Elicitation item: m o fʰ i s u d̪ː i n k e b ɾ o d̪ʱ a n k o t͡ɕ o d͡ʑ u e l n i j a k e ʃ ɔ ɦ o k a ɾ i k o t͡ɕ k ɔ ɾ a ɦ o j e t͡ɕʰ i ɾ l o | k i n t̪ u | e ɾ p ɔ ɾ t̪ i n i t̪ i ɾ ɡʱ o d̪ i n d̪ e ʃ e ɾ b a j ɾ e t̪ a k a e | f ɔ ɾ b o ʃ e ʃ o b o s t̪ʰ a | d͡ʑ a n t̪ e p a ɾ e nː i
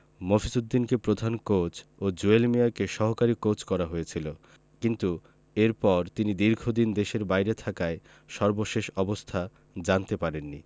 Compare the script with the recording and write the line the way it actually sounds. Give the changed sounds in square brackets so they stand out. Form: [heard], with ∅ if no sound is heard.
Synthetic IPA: m o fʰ i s u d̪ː i n k e [p] ɾ o d̪ʱ a n k o t͡ɕ o d͡ʑ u e l [m] i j a k e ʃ ɔ ɦ o k a ɾ i k o t͡ɕ k ɔ ɾ a ɦ o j e t͡ɕʰ i [∅] l o | k i n t̪ u | e ɾ p ɔ ɾ t̪ i n i [d̪] i ɾ ɡʱ o d̪ i n d̪ e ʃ e ɾ b a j ɾ e [t̪ʰ] a k a e | [ʃ] ɔ ɾ b o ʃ e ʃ [ɔ] b o s t̪ʰ a | d͡ʑ a n t̪ e p a ɾ e nː i